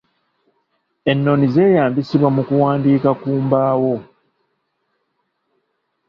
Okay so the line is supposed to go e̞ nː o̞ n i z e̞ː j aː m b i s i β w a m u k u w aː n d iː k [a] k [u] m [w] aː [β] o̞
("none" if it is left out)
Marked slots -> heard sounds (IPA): a, uː, b, w

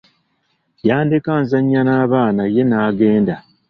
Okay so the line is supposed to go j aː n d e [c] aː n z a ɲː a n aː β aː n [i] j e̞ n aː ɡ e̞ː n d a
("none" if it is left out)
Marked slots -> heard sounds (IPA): k, a

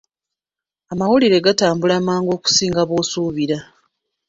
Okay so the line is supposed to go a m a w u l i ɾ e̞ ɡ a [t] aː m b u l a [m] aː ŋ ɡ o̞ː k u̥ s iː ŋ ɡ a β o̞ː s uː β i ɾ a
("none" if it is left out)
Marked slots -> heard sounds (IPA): t, m

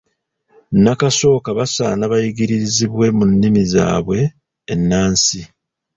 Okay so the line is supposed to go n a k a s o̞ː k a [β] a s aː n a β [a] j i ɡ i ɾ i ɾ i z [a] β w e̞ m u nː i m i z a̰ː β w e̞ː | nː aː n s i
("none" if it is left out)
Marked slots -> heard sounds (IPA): β, a, i

